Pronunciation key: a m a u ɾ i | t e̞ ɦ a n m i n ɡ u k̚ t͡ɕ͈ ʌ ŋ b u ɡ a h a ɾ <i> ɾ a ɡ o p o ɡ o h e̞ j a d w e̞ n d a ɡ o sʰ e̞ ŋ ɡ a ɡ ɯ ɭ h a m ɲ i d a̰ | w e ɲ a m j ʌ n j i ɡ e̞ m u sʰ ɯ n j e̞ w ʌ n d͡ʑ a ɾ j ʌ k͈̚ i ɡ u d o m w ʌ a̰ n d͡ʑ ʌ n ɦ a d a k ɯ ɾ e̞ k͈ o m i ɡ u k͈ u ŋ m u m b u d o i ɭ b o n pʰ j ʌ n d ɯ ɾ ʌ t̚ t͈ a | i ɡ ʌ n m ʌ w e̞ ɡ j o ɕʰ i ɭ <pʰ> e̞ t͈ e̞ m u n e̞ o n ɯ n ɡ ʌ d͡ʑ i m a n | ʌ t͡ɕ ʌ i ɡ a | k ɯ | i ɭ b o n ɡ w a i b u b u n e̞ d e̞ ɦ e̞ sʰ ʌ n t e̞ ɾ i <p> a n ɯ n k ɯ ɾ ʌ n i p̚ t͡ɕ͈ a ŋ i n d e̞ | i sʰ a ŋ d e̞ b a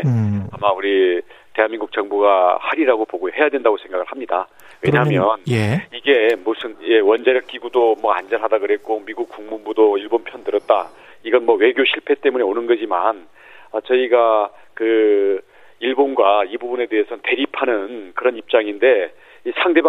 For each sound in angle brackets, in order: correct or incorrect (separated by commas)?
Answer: correct, correct, incorrect